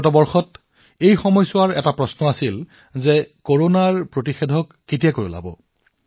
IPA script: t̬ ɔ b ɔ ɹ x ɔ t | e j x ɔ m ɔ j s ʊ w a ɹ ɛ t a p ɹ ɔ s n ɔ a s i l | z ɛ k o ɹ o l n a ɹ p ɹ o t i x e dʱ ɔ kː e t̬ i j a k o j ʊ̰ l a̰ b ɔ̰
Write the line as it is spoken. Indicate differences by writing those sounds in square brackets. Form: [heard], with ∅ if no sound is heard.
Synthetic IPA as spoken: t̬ ɔ b ɔ ɹ x ɔ t | e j x ɔ m ɔ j s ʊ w a ɹ ɛ t a p ɹ ɔ s n ɔ a s i l | z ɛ k o ɹ o [∅] n a ɹ p ɹ o t i x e dʱ ɔ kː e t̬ i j a k o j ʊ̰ l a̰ b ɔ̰

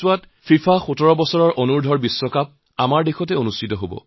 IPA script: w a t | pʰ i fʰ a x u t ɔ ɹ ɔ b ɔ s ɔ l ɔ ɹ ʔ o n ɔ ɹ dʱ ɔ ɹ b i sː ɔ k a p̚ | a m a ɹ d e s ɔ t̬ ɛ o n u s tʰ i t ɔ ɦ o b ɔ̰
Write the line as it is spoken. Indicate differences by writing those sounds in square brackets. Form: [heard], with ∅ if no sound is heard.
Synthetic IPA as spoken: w a t | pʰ i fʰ a x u t ɔ ɹ ɔ b ɔ s ɔ [ɹ] ɔ ɹ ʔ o n [u] ɹ dʱ ɔ ɹ b i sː ɔ k a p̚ | a m a ɹ d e [x] ɔ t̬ ɛ o n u s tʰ i t ɔ ɦ o b ɔ̰

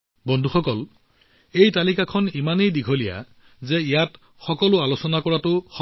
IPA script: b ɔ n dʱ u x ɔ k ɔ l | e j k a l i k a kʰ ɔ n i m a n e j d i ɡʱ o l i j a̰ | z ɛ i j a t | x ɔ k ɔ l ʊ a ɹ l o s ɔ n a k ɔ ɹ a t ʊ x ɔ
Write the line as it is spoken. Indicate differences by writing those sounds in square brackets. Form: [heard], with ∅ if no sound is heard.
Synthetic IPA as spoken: b ɔ n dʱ u x ɔ k ɔ l | e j [t] a l i k a kʰ ɔ n i m a n e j d i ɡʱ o l i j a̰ | z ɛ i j a t | x ɔ k ɔ l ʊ a [∅] l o s ɔ n a k ɔ ɹ a t ʊ x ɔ

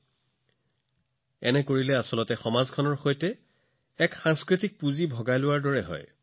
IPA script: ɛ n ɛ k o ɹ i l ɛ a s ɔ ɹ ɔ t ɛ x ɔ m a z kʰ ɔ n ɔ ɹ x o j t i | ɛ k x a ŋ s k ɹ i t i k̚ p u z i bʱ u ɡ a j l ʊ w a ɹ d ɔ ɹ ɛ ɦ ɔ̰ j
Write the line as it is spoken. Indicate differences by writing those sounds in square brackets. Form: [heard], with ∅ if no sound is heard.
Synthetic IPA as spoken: ɛ n ɛ k o ɹ i l ɛ a s ɔ [l] ɔ t ɛ x ɔ m a z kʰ ɔ n ɔ ɹ x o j t [ɛ] | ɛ k x a ŋ s k ɹ i t i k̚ p u z i bʱ [ɔ] ɡ a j l ʊ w a ɹ d ɔ ɹ ɛ ɦ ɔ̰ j

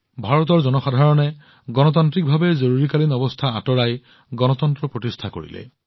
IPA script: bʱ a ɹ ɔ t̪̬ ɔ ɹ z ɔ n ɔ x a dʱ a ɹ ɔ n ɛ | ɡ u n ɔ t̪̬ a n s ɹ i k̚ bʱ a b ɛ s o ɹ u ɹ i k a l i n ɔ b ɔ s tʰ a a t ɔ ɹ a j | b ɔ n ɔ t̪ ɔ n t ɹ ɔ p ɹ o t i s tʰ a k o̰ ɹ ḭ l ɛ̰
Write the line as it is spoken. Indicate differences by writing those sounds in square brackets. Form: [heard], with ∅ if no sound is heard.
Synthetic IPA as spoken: bʱ a ɹ ɔ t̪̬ ɔ ɹ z ɔ n ɔ x a dʱ a ɹ ɔ n ɛ | ɡ [ɔ] n ɔ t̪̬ a n [t] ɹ i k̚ bʱ a b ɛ [z] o ɹ u ɹ i k a l i n ɔ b ɔ s tʰ a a t ɔ ɹ a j | [ɡ] ɔ n ɔ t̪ ɔ n t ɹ ɔ p ɹ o t i s tʰ a k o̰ ɹ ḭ l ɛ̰

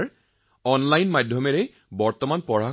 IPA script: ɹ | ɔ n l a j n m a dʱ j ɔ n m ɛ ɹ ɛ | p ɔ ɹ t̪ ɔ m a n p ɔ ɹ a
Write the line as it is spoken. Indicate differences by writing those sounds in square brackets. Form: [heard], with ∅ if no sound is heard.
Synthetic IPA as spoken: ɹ | ɔ n l a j n m a dʱ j ɔ [∅] m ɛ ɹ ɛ | [b] ɔ ɹ t̪ ɔ m a n p ɔ ɹ a

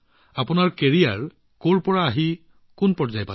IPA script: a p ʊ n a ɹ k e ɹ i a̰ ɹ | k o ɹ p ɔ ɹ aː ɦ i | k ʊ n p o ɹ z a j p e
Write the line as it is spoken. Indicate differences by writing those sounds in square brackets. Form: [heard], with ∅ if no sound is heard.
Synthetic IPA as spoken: a p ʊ n a ɹ k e ɹ i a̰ ɹ | k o ɹ p ɔ ɹ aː ɦ i | k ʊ n p [ɔ] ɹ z a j p [a]

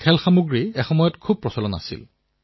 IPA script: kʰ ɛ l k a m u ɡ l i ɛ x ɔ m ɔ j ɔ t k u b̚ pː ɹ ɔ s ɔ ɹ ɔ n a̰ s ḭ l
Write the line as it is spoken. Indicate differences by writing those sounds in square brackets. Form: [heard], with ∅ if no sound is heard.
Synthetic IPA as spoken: kʰ ɛ l [x] a m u ɡ [ɹ] i ɛ x ɔ m ɔ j ɔ t [kʰ] u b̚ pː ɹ ɔ s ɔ [l] ɔ n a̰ s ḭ l

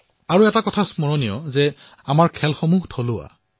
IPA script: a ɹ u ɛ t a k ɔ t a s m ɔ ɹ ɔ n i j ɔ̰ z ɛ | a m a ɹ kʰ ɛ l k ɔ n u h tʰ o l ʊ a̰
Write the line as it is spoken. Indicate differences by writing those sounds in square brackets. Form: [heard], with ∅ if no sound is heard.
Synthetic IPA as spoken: a ɹ u ɛ t a k ɔ [tʰ] a s m ɔ ɹ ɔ n i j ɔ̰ z ɛ | a m a ɹ kʰ ɛ l [x] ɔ [m] u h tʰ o l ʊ a̰

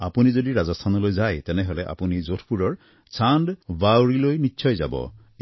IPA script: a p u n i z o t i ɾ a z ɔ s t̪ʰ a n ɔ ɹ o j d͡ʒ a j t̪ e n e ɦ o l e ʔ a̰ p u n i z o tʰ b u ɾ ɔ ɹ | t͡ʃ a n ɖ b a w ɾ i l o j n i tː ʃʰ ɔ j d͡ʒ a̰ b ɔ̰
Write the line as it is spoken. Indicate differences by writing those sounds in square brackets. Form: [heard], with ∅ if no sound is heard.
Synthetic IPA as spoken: a p u n i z o [d] i ɾ a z ɔ s t̪ʰ a n ɔ [l] o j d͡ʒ a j t̪ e n e ɦ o l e ʔ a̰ p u n i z o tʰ [p] u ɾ ɔ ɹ | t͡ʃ a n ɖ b a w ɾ i l o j n i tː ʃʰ ɔ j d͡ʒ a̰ b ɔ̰

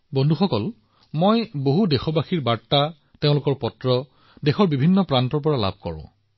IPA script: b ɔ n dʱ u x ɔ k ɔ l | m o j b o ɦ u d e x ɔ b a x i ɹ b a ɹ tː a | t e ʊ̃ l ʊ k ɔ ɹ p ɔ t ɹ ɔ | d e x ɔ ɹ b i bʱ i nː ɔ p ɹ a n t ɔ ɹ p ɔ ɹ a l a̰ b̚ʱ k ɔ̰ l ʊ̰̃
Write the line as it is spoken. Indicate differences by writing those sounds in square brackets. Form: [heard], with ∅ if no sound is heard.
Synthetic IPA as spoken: b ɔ n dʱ u x ɔ k ɔ l | m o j b o ɦ u d e x ɔ b a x i ɹ b a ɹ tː a | t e ʊ̃ l ʊ k ɔ ɹ p ɔ t ɹ ɔ | d e x ɔ ɹ b i bʱ i nː ɔ p ɹ a n t ɔ ɹ p ɔ ɹ a l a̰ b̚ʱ k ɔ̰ [ɹ] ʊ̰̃

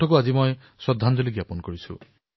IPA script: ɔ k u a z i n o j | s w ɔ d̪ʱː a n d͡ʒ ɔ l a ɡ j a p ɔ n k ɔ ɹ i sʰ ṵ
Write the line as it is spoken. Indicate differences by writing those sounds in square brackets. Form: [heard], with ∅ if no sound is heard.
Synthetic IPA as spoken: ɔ k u a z i [m] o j | s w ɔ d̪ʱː a n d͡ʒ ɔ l [i] ɡ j a p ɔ n k ɔ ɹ i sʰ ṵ

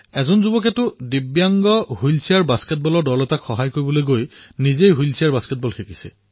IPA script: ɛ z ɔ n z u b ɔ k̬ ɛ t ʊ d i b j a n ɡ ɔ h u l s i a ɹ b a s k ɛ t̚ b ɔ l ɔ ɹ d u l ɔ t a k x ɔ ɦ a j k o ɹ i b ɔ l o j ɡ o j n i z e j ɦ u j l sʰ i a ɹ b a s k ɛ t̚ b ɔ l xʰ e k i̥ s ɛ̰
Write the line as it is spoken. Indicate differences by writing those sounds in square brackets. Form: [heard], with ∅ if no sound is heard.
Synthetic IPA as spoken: ɛ z ɔ n z u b ɔ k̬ ɛ t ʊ d i b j a [ŋ] ɡ ɔ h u l s i a ɹ b a s k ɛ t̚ b ɔ l ɔ ɹ d [ɔ] l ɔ t a k x ɔ ɦ a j k o ɹ i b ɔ l o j ɡ o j n i z e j ɦ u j l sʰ i a ɹ b a s k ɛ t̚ b ɔ l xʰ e k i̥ s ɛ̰

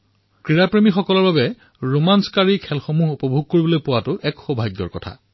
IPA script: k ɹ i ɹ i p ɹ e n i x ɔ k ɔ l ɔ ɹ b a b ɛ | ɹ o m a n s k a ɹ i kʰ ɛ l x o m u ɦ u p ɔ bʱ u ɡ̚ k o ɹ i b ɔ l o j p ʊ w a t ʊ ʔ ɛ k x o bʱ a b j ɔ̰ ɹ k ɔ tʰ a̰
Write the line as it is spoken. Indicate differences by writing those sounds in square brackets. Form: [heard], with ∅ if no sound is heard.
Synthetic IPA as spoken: k ɹ i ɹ [a] p ɹ e [m] i x ɔ k ɔ l ɔ ɹ b a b ɛ | ɹ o m a n s k a ɹ i kʰ ɛ l x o m u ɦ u p ɔ bʱ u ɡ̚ k o ɹ i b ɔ l o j p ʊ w a t ʊ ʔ ɛ k x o bʱ a [ɡ] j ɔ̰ ɹ k ɔ tʰ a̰

